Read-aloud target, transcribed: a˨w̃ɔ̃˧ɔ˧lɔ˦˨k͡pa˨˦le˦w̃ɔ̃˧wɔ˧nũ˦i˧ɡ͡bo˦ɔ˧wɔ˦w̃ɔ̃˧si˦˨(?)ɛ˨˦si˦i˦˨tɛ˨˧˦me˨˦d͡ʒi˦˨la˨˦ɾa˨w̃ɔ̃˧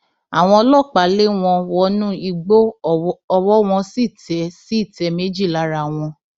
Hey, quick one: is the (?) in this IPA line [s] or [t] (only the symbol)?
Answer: t